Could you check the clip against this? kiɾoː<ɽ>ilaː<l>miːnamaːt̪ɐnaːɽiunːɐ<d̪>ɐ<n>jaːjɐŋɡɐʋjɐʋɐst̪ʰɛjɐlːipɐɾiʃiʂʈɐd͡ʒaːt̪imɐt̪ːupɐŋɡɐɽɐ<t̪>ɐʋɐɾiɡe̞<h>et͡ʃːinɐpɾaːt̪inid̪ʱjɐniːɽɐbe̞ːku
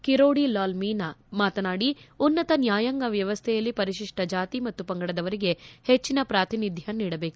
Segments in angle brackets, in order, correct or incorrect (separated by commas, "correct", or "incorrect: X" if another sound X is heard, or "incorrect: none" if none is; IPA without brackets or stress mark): correct, correct, incorrect: t̪, correct, incorrect: d̪, correct